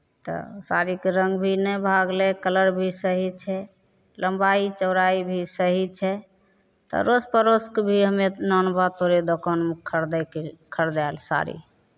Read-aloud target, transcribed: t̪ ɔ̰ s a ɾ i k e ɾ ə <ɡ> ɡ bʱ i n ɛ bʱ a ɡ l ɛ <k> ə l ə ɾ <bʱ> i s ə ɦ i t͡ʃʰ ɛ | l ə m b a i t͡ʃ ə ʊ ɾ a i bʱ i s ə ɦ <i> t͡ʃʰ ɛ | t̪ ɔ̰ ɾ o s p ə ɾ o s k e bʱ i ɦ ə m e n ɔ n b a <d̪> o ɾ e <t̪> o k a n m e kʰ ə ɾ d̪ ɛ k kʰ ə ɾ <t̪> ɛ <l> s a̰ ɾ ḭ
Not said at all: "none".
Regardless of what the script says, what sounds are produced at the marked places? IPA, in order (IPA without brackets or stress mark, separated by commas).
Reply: ŋ, k, bʱ, i, t̪, d̪, d̪, l